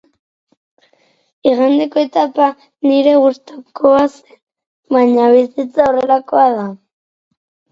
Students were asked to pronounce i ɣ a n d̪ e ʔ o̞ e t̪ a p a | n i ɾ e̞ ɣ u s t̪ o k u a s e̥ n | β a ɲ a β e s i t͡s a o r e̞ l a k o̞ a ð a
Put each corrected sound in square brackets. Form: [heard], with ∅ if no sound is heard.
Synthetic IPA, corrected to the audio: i ɣ a n d̪ e [k] o̞ e t̪ a p a | n i ɾ e̞ ɣ u s t̪ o k [o] a s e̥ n | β a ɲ a β [i] s i t͡s a o r e̞ l a k o̞ a ð a